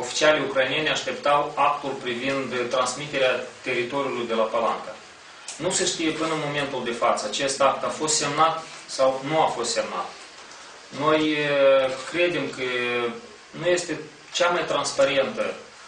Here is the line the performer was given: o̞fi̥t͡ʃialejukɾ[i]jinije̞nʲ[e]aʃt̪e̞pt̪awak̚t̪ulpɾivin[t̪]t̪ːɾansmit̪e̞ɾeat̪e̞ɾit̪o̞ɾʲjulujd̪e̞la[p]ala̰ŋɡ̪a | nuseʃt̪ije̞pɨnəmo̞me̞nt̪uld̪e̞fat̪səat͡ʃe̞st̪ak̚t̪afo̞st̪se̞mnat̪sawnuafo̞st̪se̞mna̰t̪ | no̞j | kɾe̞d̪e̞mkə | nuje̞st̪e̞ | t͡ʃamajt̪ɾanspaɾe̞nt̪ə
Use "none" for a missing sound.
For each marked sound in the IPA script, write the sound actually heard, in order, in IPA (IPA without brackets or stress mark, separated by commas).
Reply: a, e, d̪, p